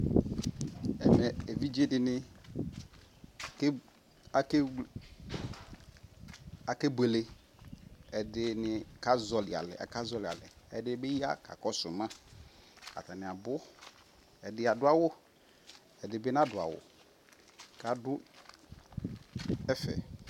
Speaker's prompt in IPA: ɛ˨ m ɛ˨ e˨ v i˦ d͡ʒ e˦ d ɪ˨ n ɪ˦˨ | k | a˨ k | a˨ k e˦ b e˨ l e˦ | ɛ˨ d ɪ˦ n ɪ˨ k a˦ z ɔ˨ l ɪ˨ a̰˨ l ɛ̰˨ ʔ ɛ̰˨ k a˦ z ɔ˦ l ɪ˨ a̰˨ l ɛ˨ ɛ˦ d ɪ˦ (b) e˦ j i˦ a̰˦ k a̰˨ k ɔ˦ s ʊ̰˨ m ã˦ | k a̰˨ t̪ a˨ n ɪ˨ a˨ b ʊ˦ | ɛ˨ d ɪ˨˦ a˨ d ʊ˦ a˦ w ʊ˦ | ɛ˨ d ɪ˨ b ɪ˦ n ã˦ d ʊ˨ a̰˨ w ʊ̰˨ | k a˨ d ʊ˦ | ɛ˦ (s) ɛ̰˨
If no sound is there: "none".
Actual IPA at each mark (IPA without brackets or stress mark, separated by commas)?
b, f